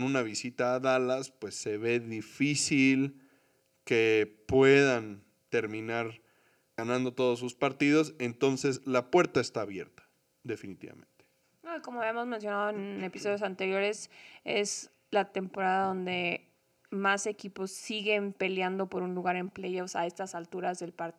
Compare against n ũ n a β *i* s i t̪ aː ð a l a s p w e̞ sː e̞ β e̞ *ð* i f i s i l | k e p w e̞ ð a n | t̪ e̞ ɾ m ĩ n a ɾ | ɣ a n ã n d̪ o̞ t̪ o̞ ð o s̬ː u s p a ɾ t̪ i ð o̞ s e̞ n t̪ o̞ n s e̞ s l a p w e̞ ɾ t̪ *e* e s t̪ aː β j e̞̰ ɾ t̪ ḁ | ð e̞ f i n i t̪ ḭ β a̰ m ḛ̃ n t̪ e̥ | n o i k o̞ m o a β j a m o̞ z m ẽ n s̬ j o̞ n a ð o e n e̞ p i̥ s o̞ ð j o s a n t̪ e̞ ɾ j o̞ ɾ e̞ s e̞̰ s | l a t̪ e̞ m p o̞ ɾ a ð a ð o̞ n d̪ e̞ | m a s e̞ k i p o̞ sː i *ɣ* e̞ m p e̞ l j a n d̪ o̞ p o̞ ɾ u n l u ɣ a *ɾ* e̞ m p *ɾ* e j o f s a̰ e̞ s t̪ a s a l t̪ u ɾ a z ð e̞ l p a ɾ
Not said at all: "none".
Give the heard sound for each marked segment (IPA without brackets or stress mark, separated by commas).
i, ð, a, ɣ, ɾ, l